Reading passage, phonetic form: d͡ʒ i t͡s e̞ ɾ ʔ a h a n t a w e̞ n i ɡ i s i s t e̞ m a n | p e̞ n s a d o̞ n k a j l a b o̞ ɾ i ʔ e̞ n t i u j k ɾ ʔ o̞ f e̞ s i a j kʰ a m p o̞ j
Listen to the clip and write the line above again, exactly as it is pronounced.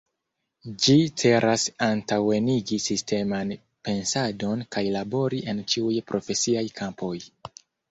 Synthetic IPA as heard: d͡ʒ i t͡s e̞ ɾ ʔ a s a n t a w e̞ n i ɡ i s i s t e̞ m a n | p e̞ n s a d o̞ n k a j l a b o̞ ɾ i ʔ e̞ n t͡ʃ i u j p ɾ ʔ o̞ f e̞ s i a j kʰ a m p o̞ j